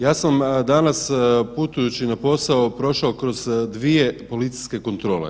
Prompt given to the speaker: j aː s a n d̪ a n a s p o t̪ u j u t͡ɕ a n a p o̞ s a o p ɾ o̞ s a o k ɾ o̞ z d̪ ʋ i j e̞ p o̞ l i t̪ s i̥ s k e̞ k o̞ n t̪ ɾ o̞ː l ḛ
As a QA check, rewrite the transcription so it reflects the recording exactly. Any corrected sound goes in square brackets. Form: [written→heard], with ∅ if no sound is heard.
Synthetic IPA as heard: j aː s a [n→m] d̪ a n a s p [o→u] t̪ u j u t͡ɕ [a→i] n a p o̞ s a o p ɾ o̞ [s→ʃ] a o k ɾ o̞ z d̪ ʋ i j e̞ p o̞ l i t̪ s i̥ s k e̞ k o̞ n t̪ ɾ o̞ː l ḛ